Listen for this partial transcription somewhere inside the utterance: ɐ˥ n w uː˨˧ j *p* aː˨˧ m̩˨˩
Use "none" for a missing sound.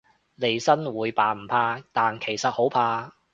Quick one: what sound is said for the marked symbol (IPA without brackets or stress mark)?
p